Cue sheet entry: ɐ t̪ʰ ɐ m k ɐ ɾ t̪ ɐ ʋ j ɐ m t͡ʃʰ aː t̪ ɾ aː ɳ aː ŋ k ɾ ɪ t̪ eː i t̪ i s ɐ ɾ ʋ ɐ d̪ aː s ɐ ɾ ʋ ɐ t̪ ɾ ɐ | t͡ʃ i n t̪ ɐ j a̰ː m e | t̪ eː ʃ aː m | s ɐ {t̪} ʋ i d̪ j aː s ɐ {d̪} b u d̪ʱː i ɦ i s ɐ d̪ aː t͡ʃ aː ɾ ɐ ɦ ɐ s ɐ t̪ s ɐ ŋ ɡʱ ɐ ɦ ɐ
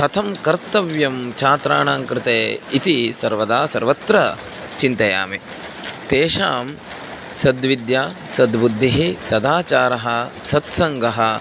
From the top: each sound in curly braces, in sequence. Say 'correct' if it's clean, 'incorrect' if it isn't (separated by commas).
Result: incorrect, correct